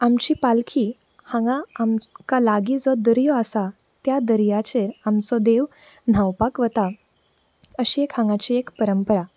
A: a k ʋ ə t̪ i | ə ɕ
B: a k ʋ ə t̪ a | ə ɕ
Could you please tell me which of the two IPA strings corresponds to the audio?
B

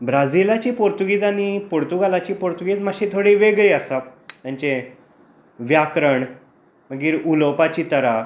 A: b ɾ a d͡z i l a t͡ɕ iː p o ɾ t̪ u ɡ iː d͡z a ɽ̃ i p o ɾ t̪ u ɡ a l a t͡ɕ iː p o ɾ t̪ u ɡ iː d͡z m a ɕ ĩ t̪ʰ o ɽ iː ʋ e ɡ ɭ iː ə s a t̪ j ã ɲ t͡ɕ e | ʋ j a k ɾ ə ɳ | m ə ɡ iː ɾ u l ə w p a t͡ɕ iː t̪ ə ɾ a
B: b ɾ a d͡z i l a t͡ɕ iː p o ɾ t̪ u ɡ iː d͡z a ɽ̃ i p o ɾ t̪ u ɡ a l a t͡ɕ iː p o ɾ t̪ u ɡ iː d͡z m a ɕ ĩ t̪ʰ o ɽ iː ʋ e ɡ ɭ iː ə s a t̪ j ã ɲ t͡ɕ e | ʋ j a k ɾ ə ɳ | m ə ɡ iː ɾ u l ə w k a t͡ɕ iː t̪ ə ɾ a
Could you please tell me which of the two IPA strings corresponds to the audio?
A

